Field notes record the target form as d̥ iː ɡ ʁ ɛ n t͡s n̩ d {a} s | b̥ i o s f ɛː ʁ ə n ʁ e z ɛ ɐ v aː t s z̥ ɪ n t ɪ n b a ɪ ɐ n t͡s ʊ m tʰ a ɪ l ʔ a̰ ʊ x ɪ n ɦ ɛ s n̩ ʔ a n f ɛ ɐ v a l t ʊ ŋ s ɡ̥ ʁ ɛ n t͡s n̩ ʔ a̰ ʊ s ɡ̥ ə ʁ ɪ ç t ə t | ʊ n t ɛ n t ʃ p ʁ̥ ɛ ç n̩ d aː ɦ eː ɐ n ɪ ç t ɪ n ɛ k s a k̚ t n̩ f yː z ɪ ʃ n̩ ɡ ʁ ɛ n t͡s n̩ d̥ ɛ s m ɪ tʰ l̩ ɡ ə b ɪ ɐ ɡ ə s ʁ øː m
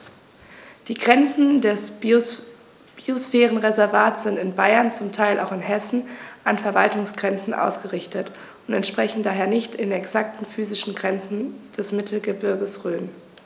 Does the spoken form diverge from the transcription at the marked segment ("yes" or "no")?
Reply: yes